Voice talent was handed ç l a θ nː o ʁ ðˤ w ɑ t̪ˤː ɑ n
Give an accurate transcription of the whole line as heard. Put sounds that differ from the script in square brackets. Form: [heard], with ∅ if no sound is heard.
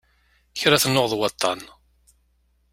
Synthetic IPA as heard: ç [ɾ] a θ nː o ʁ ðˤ w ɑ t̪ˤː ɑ n